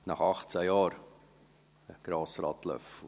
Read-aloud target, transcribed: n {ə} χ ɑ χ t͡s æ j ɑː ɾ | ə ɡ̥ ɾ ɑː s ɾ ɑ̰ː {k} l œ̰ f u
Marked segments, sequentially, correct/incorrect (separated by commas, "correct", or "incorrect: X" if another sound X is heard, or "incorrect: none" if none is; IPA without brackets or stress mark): incorrect: ɑ, incorrect: t